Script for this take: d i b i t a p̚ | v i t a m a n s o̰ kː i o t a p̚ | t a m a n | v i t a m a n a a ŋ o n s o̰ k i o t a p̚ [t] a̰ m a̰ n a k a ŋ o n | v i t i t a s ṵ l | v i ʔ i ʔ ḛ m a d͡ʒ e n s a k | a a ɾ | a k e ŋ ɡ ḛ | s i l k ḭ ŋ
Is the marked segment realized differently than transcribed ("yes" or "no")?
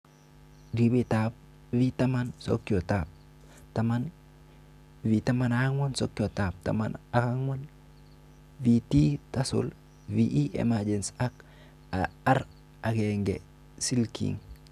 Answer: no